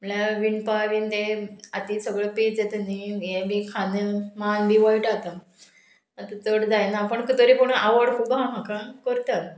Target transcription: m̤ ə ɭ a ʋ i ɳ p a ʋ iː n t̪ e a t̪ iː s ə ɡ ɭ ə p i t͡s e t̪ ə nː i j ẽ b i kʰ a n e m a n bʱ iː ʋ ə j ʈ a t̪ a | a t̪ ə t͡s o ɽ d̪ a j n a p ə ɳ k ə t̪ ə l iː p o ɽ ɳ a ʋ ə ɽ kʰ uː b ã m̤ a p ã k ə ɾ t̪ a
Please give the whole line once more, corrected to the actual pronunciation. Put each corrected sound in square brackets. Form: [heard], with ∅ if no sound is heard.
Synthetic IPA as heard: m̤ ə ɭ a ʋ i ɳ p a ʋ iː n t̪ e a t̪ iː s ə ɡ ɭ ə p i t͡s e t̪ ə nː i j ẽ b i kʰ a n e m a n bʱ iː ʋ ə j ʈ a t̪ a | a t̪ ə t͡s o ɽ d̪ a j n a p ə ɳ k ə t̪ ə [ɾ] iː p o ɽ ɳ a ʋ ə ɽ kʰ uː b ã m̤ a [k] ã k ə ɾ t̪ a